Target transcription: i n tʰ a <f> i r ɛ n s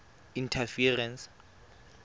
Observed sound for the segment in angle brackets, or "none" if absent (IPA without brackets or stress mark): f